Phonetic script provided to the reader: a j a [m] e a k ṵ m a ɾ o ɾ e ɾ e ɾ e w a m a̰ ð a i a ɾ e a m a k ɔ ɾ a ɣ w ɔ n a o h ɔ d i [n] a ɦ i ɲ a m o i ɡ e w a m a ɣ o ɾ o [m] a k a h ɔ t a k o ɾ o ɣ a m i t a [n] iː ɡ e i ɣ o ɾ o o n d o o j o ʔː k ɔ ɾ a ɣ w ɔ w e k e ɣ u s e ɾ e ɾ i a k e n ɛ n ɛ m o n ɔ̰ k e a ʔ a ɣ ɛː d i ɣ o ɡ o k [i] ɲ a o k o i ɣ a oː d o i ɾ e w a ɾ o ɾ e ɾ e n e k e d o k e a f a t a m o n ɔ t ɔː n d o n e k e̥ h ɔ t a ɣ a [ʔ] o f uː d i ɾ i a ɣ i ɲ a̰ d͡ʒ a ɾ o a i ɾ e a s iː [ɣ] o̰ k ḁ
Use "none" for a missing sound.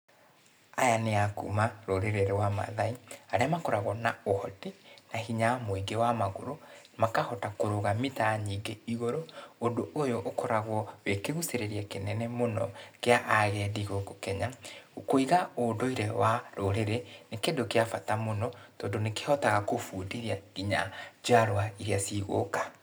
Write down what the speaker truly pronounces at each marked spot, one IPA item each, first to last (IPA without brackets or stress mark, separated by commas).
n, n, m, ɲ, ɛ, k, ɣ